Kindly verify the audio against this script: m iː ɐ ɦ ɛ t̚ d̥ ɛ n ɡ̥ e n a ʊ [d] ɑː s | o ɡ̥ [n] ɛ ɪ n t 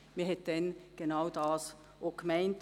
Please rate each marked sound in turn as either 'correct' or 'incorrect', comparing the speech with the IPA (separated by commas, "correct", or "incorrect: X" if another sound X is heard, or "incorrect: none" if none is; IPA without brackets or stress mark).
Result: correct, incorrect: m